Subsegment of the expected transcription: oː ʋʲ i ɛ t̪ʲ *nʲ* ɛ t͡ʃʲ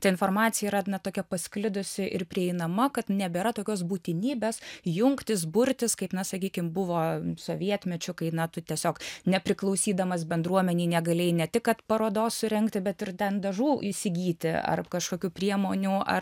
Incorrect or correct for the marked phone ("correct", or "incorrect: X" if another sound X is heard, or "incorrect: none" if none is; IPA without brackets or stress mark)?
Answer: incorrect: mʲ